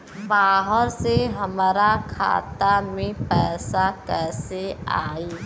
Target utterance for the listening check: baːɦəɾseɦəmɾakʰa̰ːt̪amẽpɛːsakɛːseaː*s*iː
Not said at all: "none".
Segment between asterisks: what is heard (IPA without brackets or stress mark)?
none